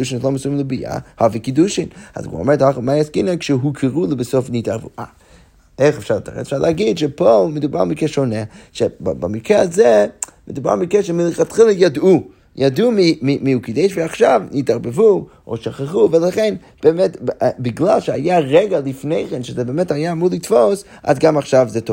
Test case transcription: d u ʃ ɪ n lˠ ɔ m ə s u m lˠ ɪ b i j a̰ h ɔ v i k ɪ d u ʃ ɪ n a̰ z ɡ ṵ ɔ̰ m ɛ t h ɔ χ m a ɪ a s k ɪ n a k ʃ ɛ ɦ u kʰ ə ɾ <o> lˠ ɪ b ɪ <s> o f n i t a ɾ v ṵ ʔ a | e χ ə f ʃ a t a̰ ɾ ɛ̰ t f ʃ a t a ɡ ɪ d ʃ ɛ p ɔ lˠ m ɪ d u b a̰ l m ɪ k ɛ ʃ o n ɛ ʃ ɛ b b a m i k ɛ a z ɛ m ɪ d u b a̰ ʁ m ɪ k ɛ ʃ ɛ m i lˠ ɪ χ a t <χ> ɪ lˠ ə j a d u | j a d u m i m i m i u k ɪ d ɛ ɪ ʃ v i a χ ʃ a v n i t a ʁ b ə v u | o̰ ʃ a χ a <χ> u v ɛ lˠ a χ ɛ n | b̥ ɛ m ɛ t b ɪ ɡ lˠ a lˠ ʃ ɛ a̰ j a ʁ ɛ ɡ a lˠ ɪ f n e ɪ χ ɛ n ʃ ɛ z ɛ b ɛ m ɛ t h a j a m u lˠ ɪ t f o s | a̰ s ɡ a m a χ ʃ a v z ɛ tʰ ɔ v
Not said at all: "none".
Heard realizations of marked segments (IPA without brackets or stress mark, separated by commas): u, s, χ, χ